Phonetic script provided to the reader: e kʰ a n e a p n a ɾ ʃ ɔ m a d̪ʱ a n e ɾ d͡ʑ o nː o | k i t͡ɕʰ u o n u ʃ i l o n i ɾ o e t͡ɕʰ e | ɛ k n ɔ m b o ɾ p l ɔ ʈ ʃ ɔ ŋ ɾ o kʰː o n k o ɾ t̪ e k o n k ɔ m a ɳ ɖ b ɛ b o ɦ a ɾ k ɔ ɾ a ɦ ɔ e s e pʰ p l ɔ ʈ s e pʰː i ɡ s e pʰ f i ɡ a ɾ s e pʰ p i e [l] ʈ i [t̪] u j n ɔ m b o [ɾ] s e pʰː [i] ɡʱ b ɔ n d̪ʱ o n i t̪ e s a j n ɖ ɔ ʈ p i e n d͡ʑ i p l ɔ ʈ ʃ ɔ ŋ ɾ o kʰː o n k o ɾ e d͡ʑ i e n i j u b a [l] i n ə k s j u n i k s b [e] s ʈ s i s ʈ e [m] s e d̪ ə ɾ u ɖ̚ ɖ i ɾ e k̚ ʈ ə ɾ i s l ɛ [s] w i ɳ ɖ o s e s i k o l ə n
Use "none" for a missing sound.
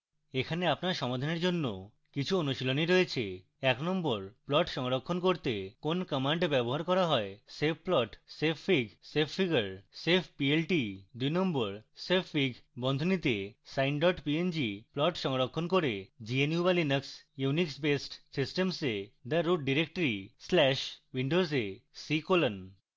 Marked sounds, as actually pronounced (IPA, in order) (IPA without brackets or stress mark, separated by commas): l, d̪, ɾ, i, l, e, m, ʃ